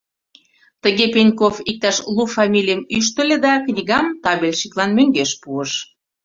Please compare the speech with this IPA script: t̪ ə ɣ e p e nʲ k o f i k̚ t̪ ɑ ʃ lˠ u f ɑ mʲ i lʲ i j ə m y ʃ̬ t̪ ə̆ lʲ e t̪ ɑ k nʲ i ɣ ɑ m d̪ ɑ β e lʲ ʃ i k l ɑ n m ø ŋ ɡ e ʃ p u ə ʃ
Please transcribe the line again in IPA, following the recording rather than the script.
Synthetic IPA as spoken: t̪ ə ɣ e p e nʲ k o f i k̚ t̪ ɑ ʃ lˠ u f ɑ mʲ i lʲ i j ə m y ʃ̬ t̪ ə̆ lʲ e d̪ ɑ k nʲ i ɣ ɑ m t̪ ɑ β e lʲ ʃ i k l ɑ n m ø ŋ ɡ e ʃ p u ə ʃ